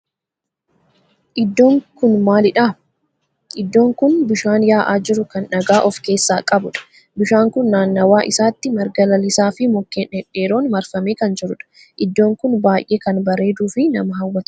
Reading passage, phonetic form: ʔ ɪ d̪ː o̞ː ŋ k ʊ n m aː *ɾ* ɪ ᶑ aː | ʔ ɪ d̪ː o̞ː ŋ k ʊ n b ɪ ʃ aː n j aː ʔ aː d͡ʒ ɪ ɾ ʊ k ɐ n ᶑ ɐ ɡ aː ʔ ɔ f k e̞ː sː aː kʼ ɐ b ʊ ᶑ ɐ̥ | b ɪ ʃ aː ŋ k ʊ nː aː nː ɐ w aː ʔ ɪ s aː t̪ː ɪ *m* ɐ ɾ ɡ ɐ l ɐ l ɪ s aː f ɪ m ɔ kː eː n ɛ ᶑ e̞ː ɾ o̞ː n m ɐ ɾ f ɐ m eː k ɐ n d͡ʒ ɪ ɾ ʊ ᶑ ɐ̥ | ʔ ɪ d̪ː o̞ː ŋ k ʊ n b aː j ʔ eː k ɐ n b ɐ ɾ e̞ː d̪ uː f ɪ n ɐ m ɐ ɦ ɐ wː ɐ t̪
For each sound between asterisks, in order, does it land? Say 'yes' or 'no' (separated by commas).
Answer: no, yes